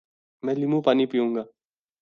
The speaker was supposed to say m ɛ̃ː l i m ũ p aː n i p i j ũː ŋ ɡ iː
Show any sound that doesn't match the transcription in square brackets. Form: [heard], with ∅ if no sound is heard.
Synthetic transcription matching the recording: m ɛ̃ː l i m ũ p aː n i p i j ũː ŋ ɡ [aː]